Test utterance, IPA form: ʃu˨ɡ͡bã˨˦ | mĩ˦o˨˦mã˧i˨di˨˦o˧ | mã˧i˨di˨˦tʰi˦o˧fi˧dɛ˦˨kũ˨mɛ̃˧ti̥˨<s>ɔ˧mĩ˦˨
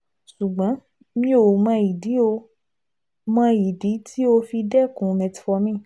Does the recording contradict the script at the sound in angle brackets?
yes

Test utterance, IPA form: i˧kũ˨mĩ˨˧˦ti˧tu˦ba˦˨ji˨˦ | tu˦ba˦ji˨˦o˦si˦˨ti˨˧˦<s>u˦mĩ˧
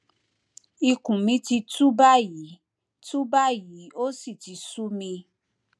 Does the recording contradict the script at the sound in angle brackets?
no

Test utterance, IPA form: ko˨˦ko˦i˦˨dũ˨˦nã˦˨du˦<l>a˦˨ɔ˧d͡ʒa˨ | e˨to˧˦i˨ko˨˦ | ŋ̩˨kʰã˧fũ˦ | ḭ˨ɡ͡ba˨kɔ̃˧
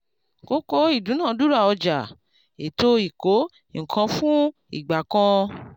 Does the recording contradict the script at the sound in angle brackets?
yes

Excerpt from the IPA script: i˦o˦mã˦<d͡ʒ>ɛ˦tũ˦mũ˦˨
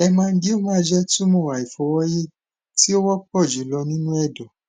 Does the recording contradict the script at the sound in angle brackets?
no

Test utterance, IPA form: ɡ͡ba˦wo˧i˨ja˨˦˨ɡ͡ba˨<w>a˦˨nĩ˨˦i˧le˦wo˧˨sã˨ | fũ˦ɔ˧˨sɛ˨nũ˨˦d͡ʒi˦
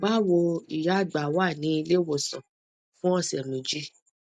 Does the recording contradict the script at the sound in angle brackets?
no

